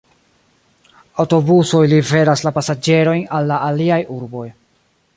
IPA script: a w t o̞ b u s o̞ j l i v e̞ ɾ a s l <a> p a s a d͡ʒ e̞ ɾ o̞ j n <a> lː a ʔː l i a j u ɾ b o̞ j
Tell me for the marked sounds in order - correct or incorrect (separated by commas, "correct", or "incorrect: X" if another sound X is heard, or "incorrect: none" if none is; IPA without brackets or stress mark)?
correct, correct